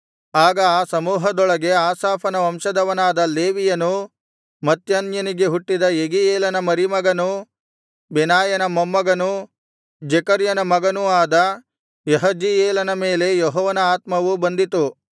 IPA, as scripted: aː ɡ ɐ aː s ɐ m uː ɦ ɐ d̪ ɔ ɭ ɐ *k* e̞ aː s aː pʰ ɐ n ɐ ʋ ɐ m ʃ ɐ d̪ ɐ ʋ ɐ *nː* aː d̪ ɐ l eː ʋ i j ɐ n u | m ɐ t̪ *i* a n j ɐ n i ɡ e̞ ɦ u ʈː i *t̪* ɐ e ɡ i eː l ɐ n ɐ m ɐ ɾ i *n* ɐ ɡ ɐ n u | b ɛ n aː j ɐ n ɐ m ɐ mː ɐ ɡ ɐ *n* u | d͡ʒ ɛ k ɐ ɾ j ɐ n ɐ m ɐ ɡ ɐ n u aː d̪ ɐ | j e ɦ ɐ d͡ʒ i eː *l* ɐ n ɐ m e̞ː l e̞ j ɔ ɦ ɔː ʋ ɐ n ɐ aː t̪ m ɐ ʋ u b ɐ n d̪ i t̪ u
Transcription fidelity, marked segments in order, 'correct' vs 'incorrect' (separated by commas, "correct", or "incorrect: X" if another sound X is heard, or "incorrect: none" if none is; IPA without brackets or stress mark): incorrect: ɡ, incorrect: n, incorrect: j, incorrect: d̪, incorrect: m, correct, correct